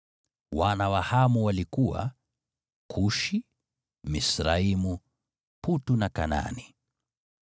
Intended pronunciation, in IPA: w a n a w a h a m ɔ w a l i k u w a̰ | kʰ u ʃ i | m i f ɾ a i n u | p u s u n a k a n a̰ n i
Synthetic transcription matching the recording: w a n a w a h a m u w a l i k u w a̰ | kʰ u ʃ i | m i s ɾ a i m u | p u t u n a k a n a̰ n i